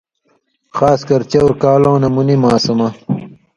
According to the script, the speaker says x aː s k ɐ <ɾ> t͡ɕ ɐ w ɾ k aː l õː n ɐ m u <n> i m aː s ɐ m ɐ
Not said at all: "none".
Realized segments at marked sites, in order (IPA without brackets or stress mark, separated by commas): ɾ, n